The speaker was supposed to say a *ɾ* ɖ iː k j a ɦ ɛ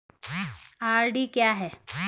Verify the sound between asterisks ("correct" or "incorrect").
correct